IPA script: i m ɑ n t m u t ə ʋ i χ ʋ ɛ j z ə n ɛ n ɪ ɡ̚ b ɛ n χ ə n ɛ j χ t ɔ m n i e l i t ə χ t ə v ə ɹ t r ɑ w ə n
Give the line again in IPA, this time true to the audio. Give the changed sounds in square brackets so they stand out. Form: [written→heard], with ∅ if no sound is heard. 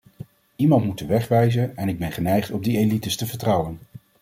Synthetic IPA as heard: i m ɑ n t m u t ə ʋ [i→ɛ] χ ʋ ɛ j z ə n ɛ n ɪ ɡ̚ b ɛ n χ ə n ɛ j χ t ɔ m [n→d] i e l i t ə [χ→s] t ə v ə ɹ t r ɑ w ə n